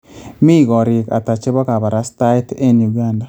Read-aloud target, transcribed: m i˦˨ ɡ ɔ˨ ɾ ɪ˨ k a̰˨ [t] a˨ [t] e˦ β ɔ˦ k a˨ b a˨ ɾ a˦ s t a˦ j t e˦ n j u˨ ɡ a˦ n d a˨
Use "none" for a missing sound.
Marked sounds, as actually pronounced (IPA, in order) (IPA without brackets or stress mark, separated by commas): t, t͡ʃ